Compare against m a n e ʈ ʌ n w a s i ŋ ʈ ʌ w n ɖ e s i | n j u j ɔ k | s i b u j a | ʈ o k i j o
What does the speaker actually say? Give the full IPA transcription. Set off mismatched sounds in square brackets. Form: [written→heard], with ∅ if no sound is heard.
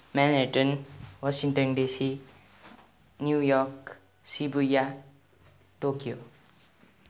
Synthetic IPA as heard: m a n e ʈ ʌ n w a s i ŋ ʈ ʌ [w→∅] n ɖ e s i | n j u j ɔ k | s i b u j a | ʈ o k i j o